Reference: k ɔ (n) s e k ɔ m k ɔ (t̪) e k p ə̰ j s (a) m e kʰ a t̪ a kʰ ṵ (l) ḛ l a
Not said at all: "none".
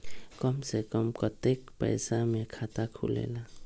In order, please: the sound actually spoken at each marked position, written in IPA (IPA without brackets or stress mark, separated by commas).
m, t̪, a, l